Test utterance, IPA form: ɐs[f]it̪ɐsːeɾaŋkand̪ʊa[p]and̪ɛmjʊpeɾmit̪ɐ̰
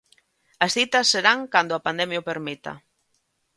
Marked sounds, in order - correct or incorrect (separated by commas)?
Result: incorrect, correct